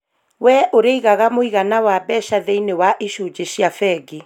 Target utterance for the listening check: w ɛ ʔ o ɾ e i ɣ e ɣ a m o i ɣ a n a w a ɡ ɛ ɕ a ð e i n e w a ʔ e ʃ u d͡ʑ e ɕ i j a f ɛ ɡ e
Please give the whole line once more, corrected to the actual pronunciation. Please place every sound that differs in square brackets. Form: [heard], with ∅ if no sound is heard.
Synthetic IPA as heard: w ɛ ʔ o ɾ e i ɣ [a] ɣ a m o i ɣ a n a w a [b] ɛ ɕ a ð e i n e w a ʔ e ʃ u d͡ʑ e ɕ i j a f ɛ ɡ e